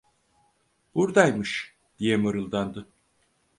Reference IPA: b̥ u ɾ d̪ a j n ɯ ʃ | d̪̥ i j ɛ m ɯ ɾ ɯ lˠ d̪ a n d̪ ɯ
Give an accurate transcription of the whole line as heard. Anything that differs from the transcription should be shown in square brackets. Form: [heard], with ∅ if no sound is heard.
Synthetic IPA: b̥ u ɾ d̪ a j [m] ɯ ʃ | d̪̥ i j ɛ m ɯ ɾ ɯ lˠ d̪ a n d̪ ɯ